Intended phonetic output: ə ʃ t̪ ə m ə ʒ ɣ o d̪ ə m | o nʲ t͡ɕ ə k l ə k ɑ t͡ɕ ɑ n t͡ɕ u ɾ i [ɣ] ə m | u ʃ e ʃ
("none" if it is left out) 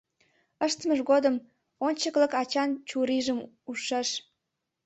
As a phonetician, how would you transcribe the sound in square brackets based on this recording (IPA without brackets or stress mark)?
ʒ